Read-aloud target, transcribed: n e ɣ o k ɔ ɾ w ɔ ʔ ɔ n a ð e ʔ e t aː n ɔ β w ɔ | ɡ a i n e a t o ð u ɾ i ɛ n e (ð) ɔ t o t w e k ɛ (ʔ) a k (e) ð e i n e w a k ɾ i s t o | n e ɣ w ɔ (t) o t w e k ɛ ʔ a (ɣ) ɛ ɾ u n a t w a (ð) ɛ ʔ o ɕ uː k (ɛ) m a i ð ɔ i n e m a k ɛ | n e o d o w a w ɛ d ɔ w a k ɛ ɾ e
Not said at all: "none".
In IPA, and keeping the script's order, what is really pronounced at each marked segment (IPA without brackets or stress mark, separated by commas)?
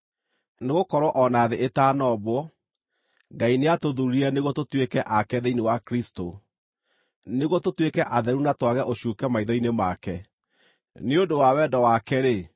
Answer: ɣ, ʔ, ɛ, t, ð, ɣ, ɛ